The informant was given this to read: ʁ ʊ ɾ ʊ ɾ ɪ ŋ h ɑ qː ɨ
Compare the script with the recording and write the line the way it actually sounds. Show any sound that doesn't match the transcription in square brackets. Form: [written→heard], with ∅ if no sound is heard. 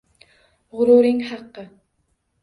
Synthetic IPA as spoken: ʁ ʊ ɾ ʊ ɾ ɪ ŋ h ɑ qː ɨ